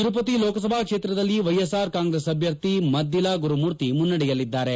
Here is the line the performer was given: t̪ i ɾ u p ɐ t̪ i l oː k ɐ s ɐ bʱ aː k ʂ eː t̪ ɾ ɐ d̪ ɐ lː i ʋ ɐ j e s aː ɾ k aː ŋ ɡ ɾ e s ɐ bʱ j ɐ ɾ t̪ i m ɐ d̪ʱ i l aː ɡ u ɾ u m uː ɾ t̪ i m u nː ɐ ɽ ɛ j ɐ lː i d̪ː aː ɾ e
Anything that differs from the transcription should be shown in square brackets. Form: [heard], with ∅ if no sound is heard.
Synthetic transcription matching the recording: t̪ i ɾ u p ɐ t̪ i l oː k ɐ s ɐ bʱ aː k ʂ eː t̪ ɾ ɐ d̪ ɐ lː i ʋ ɐ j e s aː ɾ k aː ŋ ɡ ɾ e s ɐ bʱ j ɐ ɾ t̪ i m ɐ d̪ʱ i l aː ɡ u ɾ u m uː ɾ t̪ i m u nː ɐ ɽ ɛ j ɐ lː i d̪ː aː ɾ e